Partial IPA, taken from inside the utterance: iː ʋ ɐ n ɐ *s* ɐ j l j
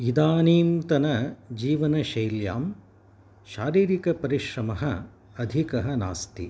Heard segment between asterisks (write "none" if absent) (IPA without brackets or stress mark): ʃ